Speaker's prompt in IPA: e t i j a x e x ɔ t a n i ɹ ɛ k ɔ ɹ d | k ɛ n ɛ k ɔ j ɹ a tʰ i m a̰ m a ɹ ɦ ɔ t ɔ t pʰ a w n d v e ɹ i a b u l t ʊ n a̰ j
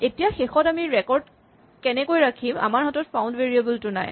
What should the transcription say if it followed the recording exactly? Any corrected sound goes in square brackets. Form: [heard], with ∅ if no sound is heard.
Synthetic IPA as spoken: e t i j a x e x ɔ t a [m] i ɹ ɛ k ɔ ɹ d | k ɛ n ɛ k [o] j ɹ a [kʰ] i m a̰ m a ɹ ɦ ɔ t ɔ t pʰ a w n d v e ɹ i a b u l t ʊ n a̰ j